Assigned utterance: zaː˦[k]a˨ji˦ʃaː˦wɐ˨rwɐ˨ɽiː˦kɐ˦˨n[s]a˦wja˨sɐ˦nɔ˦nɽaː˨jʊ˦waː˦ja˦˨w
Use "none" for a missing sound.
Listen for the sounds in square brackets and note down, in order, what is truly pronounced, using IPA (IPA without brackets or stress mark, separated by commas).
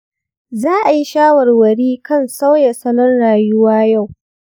ʔ, s